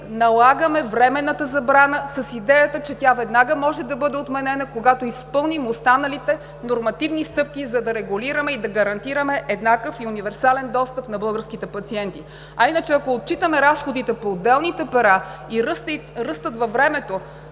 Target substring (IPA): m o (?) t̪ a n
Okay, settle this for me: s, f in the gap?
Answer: s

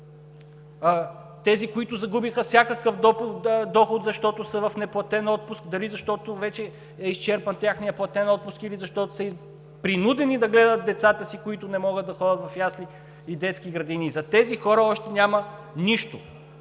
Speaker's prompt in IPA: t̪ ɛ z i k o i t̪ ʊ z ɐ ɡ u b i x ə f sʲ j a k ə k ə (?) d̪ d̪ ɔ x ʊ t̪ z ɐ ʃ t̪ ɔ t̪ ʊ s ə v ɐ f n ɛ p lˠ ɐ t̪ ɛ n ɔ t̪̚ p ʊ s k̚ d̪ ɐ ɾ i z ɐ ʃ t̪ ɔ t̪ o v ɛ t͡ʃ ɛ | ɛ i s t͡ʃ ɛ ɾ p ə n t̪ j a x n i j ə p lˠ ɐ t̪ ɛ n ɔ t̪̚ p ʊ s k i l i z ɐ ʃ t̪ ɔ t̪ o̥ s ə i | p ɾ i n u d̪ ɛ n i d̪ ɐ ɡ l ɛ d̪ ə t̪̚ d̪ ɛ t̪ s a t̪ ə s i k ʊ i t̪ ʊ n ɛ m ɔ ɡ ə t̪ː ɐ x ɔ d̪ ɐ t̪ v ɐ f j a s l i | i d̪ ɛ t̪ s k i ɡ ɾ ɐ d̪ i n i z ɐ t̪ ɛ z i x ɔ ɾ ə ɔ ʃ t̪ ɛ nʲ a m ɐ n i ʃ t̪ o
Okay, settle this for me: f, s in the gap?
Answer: f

